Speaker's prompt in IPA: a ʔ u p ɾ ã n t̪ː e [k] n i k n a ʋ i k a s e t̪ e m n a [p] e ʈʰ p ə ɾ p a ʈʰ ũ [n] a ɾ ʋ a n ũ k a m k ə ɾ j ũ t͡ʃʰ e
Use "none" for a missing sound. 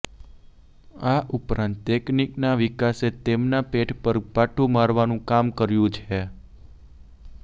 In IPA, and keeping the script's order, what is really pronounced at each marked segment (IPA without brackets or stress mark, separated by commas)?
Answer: k, p, m